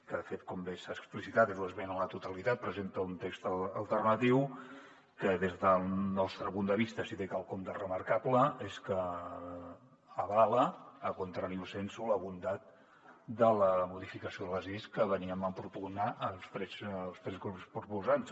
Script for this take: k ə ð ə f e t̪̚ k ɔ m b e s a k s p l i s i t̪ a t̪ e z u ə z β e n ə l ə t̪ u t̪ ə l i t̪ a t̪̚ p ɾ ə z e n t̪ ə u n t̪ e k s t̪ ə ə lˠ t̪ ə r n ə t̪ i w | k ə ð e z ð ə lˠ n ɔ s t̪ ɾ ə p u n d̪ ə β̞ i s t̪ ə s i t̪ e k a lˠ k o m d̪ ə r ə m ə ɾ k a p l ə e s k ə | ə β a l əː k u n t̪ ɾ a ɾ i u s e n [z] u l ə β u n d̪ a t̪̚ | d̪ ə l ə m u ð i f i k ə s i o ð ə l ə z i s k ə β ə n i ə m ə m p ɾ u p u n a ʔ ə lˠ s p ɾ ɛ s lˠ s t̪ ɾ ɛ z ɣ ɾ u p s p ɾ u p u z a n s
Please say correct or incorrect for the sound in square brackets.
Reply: incorrect: s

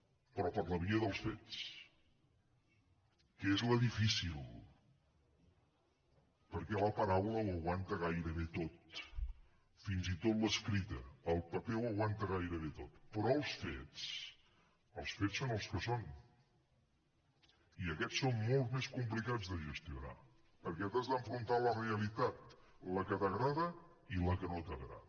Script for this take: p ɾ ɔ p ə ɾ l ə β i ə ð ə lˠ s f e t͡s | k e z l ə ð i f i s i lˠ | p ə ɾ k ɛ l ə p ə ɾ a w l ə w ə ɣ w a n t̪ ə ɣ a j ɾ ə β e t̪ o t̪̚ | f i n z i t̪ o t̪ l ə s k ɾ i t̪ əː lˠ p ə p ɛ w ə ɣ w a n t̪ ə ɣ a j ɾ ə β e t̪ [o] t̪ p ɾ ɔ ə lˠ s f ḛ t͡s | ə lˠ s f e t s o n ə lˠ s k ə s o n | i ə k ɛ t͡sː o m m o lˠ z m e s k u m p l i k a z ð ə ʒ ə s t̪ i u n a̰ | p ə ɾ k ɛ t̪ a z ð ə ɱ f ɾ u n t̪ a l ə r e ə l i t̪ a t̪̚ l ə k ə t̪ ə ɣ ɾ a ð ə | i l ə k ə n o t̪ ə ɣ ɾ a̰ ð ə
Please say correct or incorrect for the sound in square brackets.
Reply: correct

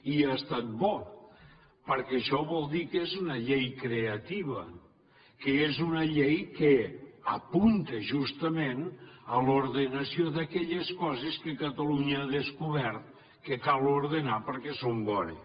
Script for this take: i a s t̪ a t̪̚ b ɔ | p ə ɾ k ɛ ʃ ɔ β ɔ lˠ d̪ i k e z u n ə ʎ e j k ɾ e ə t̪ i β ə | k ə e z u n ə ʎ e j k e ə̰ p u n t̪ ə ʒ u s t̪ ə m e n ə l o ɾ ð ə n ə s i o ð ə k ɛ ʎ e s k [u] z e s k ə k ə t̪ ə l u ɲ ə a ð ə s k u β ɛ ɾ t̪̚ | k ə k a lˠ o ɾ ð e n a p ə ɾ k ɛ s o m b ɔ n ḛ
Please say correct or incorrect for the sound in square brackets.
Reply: incorrect: ɔ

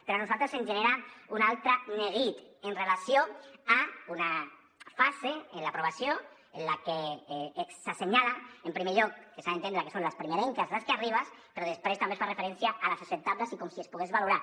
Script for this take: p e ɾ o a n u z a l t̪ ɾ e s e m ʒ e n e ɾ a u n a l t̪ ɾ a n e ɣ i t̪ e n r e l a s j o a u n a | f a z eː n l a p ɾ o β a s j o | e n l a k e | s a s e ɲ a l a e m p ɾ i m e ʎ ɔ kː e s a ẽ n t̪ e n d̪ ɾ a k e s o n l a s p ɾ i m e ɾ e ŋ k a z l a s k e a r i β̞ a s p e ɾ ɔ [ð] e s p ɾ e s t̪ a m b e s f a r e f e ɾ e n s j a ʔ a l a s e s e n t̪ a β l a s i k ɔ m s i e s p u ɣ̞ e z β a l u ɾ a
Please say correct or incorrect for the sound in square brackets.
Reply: correct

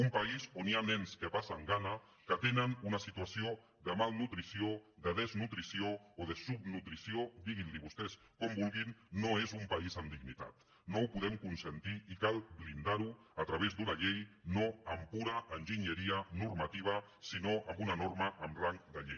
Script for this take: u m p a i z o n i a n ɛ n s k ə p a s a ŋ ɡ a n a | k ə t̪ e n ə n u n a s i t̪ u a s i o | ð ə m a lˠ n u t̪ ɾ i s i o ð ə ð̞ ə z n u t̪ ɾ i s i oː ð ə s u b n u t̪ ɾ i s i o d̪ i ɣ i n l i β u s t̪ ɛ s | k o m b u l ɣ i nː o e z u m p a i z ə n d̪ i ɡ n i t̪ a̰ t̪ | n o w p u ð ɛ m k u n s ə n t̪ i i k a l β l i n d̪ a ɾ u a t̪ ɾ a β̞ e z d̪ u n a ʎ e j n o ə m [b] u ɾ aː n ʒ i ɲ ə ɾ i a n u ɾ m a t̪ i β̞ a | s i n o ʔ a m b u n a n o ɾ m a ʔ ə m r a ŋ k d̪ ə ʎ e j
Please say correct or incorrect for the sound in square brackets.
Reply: incorrect: p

